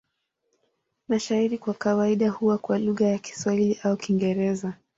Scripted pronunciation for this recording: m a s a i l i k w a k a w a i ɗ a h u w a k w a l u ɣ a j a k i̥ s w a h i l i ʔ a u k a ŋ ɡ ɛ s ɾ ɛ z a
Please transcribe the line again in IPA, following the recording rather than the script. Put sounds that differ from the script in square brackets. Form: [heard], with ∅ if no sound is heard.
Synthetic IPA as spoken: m a [ʃ] a i [ɾ] i k w a k a w a i ɗ a h u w a k w a l u ɣ a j a k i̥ s w a h i l i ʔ a u k [i] ŋ ɡ ɛ [∅] ɾ ɛ z a